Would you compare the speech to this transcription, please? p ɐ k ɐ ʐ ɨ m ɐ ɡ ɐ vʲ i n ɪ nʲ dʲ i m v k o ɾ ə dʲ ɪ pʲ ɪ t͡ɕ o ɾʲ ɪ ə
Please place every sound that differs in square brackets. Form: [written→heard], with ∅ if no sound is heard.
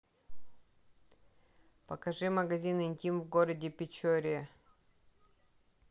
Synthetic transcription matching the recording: p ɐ k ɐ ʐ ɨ m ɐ ɡ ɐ [vʲ→zʲ] i n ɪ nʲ [dʲ→tʲ] i m v [k→ɡ] o ɾ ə dʲ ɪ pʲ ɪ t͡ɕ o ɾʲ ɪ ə